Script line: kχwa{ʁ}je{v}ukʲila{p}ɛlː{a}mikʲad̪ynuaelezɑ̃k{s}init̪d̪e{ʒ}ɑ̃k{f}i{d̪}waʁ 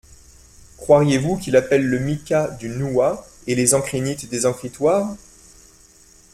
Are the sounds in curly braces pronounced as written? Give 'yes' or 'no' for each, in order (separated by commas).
yes, yes, yes, no, no, no, no, no